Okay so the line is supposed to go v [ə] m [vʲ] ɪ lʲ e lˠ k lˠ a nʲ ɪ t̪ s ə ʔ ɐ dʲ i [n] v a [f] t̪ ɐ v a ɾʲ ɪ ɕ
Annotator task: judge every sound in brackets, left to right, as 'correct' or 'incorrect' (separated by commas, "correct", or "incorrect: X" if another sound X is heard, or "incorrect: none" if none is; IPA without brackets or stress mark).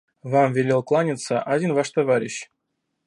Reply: incorrect: a, correct, correct, incorrect: ʂ